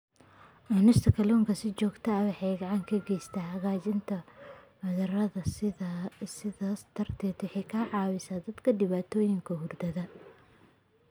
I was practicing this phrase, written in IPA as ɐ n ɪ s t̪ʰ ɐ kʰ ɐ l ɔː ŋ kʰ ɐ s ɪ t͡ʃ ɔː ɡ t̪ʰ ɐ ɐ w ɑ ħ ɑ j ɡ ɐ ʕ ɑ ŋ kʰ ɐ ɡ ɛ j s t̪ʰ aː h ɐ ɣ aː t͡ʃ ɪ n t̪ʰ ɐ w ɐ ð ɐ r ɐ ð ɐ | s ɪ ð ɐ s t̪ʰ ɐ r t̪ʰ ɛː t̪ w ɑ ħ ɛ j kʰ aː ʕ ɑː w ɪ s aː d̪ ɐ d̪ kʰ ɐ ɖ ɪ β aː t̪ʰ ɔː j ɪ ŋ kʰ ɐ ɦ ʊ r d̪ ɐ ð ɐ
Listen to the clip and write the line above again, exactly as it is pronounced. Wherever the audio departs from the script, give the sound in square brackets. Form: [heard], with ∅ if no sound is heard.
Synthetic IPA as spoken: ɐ n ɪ s t̪ʰ ɐ kʰ ɐ l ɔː ŋ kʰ ɐ s ɪ t͡ʃ ɔː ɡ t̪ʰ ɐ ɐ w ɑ ħ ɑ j ɡ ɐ ʕ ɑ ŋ kʰ ɐ ɡ ɛ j s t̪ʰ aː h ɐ ɣ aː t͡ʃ ɪ n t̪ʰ ɐ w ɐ ð ɐ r ɐ ð ɐ | s ɪ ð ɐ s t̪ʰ ɐ r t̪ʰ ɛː t̪ w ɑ ħ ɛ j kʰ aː ʕ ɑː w ɪ s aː d̪ ɐ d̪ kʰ ɐ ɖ ɪ β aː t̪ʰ ɔː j ɪ ŋ kʰ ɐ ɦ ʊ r d̪ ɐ ð ɐ